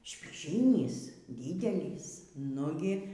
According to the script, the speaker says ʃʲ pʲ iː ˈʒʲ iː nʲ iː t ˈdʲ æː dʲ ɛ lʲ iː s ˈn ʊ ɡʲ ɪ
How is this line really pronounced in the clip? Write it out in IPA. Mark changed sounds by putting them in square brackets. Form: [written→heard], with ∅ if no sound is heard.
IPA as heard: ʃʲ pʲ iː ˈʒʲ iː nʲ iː [t→s] ˈdʲ [æː→iː] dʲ ɛ lʲ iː s ˈn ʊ ɡʲ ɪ